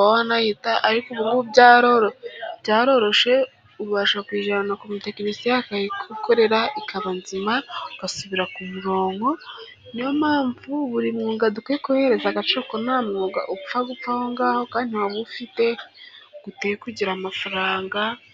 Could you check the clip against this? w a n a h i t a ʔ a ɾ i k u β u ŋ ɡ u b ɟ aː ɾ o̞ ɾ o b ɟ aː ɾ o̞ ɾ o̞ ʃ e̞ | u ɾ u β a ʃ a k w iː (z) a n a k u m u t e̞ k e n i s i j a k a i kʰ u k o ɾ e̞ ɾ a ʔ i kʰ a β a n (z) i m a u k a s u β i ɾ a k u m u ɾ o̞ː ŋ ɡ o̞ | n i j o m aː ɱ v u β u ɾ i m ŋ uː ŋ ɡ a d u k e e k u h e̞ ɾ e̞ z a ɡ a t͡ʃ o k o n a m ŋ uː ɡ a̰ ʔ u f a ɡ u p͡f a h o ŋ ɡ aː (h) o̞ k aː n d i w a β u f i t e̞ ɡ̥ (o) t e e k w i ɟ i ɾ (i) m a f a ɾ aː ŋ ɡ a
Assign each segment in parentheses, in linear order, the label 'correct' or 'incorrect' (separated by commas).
incorrect, correct, correct, incorrect, incorrect